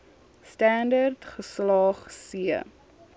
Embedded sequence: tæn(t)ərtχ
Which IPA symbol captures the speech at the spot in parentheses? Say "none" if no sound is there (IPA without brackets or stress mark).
d